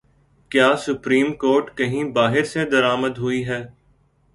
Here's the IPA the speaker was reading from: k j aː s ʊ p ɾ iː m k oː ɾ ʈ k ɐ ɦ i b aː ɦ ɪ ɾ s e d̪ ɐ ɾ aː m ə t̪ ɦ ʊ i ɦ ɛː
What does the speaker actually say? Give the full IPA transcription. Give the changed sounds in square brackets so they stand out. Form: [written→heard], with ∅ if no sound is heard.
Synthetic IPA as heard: k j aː s ʊ p ɾ iː m k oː ɾ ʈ k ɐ ɦ [i→ĩ] b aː ɦ ɪ ɾ s e d̪ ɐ ɾ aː m ə [t̪→d̪] ɦ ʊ i ɦ ɛː